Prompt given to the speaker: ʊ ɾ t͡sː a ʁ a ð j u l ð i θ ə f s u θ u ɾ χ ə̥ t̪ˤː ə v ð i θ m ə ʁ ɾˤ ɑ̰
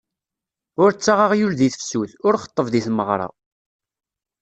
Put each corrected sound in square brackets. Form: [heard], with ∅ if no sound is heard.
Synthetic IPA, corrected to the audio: ʊ ɾ t͡sː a ʁ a [ʁ] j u l ð i θ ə f s u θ [ʊ] ɾ χ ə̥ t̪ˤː ə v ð i θ m ə ʁ ɾˤ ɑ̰